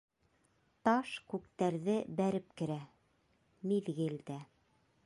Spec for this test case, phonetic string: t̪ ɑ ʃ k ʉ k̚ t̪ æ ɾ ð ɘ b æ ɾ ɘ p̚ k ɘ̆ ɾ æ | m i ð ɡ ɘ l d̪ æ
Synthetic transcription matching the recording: t̪ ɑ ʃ k ʉ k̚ t̪ æ ɾ ð ɘ b æ ɾ ɘ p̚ k ɘ̆ ɾ æ | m i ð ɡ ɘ l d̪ æ